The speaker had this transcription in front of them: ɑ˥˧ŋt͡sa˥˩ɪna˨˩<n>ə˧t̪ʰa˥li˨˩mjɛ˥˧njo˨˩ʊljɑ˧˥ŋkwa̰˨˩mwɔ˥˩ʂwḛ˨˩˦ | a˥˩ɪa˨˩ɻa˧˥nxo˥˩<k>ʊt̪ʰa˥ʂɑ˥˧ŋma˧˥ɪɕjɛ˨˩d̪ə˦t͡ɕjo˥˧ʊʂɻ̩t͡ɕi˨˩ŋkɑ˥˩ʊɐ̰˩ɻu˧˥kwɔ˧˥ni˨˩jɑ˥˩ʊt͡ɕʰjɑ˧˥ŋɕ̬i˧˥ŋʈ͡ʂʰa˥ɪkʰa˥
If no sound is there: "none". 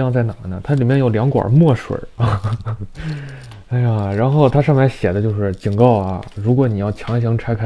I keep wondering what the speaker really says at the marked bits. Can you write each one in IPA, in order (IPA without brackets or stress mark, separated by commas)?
n, none